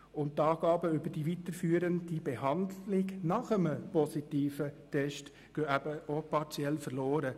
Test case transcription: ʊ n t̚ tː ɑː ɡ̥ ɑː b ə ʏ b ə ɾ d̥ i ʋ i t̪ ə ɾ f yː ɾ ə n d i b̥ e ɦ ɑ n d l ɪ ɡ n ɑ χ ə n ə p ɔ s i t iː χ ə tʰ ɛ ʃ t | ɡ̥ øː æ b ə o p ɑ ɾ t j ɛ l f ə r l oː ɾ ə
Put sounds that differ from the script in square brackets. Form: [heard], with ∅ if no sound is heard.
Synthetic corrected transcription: ʊ n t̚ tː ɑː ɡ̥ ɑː b ə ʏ b ə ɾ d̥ i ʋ i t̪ ə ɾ f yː ɾ ə n d i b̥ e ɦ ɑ n d l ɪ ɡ n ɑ χ ə [m] ə p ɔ s i t iː [f] ə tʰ ɛ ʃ t | ɡ̥ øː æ b ə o p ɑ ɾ [t͡s] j ɛ l f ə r l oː ɾ ə

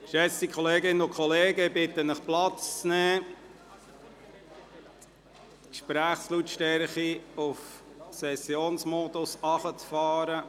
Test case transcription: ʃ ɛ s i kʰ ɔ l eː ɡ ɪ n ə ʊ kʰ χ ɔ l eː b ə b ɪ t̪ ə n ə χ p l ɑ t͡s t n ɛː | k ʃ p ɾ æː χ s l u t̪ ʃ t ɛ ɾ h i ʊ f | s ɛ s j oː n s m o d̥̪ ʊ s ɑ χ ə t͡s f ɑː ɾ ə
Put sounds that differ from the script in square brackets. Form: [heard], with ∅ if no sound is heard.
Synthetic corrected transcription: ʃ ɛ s i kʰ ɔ l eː ɡ ɪ n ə ʊ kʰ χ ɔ l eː [ɡ] ə b ɪ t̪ ə n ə χ p l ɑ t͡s [t͡s] n ɛː | k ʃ p ɾ æː χ s l u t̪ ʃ t ɛ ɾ [χ] i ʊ f | s ɛ s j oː n s m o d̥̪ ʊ s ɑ χ ə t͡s f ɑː ɾ ə

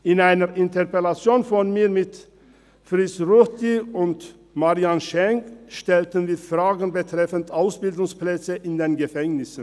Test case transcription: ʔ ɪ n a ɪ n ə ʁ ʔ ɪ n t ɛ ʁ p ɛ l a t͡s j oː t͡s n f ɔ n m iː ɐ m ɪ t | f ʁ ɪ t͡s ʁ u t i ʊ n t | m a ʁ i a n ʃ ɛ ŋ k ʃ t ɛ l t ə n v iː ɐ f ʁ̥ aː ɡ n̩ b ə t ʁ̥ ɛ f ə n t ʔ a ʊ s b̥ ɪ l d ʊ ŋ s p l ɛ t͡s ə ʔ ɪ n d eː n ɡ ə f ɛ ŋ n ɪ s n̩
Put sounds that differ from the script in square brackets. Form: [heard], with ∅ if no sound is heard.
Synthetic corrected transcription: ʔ ɪ n a ɪ n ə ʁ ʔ ɪ n t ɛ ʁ p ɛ l a t͡s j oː [∅] n f ɔ n m iː ɐ m ɪ t | f ʁ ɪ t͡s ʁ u t i ʊ n t | m a ʁ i a n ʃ ɛ ŋ k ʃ t ɛ l t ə n v iː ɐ f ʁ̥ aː ɡ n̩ b ə t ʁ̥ ɛ f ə n t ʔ a ʊ s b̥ ɪ l d ʊ ŋ s p l ɛ t͡s ə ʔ ɪ n d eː n ɡ ə f ɛ ŋ n ɪ s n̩

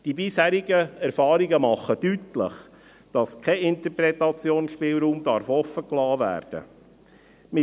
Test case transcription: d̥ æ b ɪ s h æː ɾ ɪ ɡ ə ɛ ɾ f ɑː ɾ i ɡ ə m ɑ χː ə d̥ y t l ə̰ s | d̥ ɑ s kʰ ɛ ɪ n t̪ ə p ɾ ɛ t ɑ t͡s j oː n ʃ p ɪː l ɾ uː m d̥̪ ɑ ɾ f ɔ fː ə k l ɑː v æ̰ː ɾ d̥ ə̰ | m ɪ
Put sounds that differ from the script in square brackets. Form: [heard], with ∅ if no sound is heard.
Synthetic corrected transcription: d̥ [i] b ɪ s h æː ɾ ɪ ɡ ə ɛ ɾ f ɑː ɾ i ɡ ə m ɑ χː ə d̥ y t l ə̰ [χ] | d̥ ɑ s kʰ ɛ ɪ n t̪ ə p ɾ ɛ t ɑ t͡s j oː n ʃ p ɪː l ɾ uː m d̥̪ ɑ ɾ f ɔ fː ə k l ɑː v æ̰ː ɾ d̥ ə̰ | m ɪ

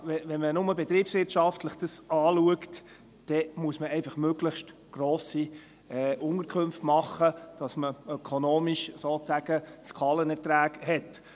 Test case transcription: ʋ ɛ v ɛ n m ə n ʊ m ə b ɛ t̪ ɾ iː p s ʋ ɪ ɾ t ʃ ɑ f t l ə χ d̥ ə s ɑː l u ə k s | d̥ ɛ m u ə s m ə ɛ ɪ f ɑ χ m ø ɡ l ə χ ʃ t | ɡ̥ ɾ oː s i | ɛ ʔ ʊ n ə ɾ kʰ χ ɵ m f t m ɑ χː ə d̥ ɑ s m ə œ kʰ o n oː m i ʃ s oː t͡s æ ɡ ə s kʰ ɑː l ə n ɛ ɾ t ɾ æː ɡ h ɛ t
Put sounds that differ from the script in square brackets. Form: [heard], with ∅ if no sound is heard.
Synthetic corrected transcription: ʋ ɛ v ɛ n m ə n ʊ m ə b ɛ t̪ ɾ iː p s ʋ ɪ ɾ t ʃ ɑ f t l ə χ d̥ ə s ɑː l u ə k [t] | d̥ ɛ m u ə s m ə ɛ ɪ f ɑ χ m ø ɡ l ə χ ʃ t | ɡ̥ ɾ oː s i | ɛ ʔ ʊ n ə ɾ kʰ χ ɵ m f t m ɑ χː ə d̥ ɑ s m ə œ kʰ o n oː m i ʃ s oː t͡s æ ɡ ə s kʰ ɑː l ə n ɛ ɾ t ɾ æː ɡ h ɛ t

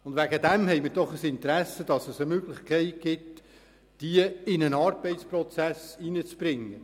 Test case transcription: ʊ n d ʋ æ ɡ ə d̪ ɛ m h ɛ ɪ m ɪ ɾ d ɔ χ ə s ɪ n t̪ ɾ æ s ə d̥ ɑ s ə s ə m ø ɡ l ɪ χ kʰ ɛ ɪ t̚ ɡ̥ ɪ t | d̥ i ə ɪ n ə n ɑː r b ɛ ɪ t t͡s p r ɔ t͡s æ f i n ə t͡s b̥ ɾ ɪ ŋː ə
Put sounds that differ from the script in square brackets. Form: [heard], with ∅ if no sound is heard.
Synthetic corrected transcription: ʊ n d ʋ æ ɡ ə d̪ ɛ m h ɛ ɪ m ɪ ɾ d ɔ χ ə s ɪ n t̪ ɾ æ s ə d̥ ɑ s ə s ə m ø ɡ l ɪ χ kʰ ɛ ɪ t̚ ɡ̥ ɪ t | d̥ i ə ɪ n ə n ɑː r b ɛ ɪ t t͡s p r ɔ t͡s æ [s] i n ə t͡s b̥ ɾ ɪ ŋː ə

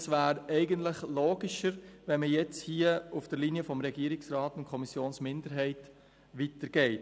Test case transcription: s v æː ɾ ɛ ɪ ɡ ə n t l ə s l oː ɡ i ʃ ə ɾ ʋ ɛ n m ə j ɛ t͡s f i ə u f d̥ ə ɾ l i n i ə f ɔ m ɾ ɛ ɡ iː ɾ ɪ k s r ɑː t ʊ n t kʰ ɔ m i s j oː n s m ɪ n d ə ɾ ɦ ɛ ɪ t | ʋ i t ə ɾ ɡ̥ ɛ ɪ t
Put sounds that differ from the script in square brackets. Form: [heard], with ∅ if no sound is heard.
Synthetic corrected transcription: s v æː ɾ ɛ ɪ ɡ ə n t l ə [χ] l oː ɡ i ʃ ə ɾ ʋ ɛ n m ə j ɛ t͡s [h] i ə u f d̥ ə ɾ l i n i ə f ɔ m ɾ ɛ ɡ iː ɾ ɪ k s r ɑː t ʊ n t kʰ ɔ m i s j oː n s m ɪ n d ə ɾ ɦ ɛ ɪ t | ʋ i t ə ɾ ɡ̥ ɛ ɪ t

